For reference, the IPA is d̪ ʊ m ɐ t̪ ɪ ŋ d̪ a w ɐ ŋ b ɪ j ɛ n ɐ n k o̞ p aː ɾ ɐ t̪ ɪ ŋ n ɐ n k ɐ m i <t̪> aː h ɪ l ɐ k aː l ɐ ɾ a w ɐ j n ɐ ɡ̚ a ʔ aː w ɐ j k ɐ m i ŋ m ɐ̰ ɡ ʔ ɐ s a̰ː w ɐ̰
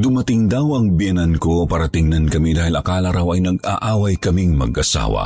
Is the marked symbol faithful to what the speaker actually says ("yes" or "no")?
no